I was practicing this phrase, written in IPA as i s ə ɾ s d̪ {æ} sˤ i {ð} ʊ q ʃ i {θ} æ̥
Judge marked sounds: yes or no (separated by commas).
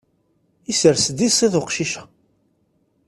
no, yes, no